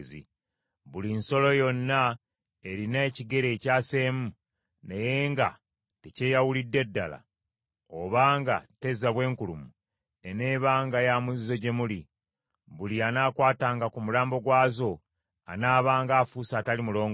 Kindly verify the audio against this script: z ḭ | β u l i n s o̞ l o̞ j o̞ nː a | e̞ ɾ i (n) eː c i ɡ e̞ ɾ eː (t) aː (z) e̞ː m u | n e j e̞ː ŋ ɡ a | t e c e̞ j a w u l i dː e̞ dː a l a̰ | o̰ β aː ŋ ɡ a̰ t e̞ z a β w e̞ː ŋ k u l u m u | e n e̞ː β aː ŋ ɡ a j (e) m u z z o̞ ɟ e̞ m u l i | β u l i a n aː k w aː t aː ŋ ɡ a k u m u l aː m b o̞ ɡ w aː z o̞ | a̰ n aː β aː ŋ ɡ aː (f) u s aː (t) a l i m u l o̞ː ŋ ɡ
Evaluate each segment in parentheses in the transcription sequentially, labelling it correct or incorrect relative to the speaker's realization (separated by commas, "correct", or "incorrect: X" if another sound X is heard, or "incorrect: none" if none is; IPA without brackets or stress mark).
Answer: correct, incorrect: c, incorrect: s, incorrect: a, correct, correct